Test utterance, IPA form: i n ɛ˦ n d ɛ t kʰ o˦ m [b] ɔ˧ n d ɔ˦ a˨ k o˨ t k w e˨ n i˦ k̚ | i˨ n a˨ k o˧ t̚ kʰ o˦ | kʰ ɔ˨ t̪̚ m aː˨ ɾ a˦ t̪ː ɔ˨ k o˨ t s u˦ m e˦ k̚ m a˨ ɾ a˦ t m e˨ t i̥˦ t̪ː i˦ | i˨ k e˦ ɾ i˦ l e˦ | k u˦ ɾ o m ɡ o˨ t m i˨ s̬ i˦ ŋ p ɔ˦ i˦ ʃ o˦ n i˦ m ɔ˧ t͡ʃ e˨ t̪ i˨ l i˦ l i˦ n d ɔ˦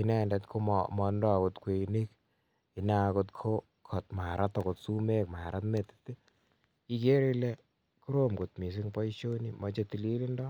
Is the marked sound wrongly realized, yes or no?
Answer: yes